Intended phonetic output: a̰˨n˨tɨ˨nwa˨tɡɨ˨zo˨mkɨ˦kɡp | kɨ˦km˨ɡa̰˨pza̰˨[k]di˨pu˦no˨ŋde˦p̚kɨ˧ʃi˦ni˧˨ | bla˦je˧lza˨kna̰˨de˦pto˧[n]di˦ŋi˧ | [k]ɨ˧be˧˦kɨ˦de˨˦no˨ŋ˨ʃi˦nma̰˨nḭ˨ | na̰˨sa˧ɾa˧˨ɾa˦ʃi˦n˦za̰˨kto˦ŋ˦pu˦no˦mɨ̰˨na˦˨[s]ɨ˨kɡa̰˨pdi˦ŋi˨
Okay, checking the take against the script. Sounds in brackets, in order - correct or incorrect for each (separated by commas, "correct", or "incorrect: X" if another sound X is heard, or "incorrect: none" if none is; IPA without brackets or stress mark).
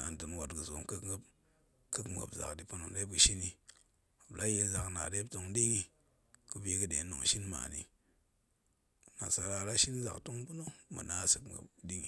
correct, incorrect: ŋ, correct, correct